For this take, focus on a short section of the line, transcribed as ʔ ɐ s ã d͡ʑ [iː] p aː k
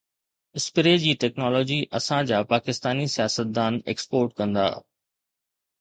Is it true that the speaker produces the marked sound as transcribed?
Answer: no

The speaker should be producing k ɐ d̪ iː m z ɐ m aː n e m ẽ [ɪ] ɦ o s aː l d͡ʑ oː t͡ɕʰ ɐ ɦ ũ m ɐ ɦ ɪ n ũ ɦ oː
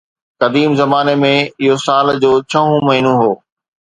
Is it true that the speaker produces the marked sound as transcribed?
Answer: yes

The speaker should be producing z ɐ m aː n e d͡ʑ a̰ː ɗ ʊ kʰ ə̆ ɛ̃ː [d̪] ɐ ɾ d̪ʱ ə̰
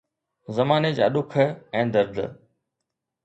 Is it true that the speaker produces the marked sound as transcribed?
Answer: yes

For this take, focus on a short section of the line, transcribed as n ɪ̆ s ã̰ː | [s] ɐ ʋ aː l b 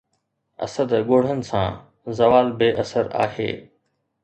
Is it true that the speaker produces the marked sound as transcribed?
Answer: no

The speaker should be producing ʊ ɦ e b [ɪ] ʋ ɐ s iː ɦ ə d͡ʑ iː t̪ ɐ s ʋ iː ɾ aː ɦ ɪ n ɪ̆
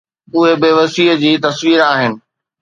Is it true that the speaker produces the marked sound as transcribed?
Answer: yes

